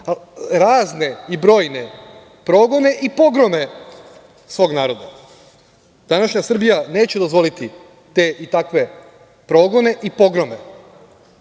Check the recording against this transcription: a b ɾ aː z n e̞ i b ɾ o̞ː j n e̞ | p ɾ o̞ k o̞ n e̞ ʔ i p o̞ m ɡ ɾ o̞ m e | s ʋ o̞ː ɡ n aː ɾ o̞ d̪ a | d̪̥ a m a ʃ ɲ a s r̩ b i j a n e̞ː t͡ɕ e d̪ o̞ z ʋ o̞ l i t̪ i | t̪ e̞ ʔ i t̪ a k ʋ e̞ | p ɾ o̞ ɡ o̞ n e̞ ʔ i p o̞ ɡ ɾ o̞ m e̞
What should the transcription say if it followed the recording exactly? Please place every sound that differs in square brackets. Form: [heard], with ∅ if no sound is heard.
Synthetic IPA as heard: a [∅] ɾ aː z n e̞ i b ɾ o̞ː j n e̞ | p ɾ o̞ [ɡ] o̞ n e̞ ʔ i p o̞ [∅] ɡ ɾ o̞ m e | s ʋ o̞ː ɡ n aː ɾ o̞ d̪ a | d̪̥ a [n] a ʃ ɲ a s r̩ b i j a n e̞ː t͡ɕ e d̪ o̞ z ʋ o̞ l i t̪ i | t̪ e̞ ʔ i t̪ a k ʋ e̞ | p ɾ o̞ ɡ o̞ n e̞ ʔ i p o̞ ɡ ɾ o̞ m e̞